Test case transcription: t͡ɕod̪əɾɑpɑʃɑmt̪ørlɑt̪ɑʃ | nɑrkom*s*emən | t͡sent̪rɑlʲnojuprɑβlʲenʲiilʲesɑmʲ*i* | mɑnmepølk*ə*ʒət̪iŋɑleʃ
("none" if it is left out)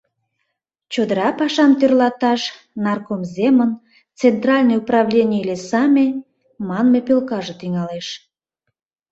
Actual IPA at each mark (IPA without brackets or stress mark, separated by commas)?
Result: z, e, ɑ